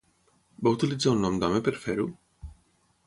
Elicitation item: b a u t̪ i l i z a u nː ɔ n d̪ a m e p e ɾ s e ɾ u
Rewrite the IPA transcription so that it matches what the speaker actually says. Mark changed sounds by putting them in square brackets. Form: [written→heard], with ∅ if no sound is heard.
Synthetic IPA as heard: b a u t̪ i l i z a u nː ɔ [n→m] d̪ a m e p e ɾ [s→f] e ɾ u